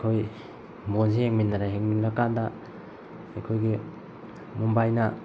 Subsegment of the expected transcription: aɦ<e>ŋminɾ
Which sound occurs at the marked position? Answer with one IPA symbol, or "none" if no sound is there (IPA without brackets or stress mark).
e